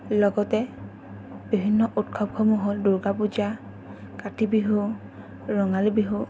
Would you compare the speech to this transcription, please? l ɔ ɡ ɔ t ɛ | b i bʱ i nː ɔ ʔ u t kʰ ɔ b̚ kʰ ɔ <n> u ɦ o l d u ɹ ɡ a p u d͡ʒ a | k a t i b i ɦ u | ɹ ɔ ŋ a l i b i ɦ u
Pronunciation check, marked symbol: incorrect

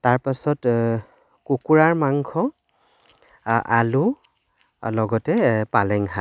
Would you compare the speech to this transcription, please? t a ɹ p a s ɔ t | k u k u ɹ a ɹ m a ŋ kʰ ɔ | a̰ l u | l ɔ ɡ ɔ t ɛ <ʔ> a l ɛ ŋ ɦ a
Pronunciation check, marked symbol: incorrect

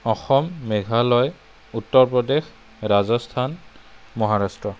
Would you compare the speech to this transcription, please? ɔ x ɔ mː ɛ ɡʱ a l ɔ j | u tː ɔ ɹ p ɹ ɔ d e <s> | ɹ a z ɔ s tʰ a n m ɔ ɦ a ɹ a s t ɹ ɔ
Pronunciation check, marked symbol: incorrect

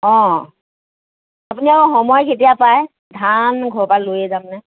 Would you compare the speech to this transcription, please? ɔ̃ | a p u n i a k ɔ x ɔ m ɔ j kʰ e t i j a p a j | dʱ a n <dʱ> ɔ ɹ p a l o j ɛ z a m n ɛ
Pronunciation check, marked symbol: incorrect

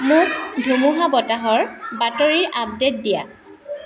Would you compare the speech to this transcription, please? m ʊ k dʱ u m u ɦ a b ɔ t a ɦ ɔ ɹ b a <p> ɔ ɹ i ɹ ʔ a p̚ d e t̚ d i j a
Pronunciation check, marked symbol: incorrect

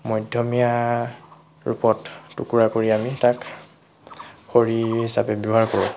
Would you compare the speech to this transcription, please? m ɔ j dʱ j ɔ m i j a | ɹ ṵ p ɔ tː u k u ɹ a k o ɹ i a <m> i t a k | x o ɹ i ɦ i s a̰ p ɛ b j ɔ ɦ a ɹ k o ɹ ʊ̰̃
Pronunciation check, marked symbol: correct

